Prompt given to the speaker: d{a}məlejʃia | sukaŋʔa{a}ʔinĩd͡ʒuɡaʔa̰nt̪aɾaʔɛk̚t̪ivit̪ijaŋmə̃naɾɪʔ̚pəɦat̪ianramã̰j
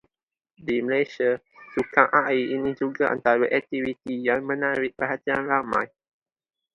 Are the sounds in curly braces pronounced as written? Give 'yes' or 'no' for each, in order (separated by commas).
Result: no, no